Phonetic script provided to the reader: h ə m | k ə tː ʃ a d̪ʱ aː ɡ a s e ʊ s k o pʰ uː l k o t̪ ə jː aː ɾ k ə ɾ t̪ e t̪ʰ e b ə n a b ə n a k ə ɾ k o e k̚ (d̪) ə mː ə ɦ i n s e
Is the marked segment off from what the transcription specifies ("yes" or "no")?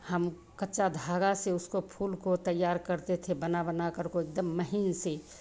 no